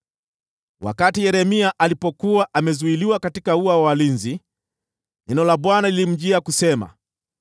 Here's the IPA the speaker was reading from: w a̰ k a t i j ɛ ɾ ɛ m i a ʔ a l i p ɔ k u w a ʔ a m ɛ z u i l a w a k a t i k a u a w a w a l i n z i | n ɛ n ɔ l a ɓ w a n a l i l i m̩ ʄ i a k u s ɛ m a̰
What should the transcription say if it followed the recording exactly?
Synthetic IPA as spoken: w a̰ k a t i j ɛ ɾ ɛ m i a ʔ a l i p ɔ k u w a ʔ a m ɛ z u i l i w a k a t i k a u a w a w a l i n z i | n ɛ n ɔ l a ɓ w a n a l i l i m̩ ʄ i a k u s ɛ m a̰